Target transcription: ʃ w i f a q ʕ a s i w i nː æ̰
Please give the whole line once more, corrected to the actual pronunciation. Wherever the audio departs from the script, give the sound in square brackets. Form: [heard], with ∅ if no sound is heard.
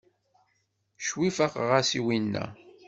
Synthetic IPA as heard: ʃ w i f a q [ʁ] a s i w i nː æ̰